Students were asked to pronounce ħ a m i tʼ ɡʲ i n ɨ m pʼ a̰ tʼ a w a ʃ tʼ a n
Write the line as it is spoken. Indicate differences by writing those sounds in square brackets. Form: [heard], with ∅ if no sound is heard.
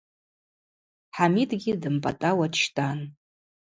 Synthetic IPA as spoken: ħ a m i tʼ ɡʲ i [d] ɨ m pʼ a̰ tʼ a w a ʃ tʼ a n